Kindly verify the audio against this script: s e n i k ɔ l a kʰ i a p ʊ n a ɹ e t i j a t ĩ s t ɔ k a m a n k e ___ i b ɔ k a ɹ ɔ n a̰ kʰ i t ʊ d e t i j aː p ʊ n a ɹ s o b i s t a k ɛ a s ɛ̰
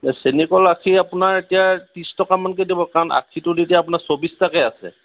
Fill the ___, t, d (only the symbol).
d